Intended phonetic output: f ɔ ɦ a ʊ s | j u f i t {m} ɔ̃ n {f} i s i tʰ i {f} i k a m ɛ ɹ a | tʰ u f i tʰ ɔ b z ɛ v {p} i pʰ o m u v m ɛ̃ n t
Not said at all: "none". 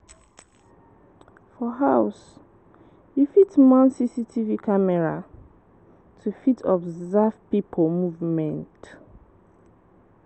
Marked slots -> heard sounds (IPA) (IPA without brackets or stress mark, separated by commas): m, s, v, p